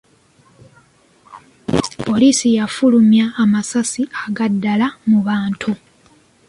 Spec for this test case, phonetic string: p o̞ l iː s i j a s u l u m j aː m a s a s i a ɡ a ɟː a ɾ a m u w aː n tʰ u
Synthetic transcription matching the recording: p o̞ l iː s i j a f u l u m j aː m a s a s i a ɡ a dː a l a m u β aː n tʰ u

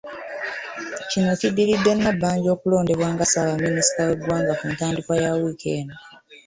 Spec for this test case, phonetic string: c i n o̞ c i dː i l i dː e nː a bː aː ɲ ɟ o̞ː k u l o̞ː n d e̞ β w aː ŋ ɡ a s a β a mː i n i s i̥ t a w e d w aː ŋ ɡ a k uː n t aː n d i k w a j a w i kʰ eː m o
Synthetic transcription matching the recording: c i n o̞ c i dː i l i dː e nː a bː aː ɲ ɟ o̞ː k u l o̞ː n d e̞ β w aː ŋ ɡ a s a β a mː i n i s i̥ t a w e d w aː ŋ ɡ a k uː n t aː n d i k w a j a w i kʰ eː n o

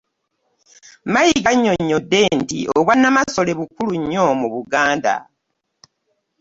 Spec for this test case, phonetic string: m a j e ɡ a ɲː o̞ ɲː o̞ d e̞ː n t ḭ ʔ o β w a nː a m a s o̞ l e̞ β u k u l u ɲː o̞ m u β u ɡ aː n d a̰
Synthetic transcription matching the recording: m a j i ɡ a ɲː o̞ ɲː o̞ d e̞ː n t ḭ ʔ o β w a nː a m a s o̞ l e̞ β u k u l u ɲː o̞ m u β u ɡ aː n d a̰

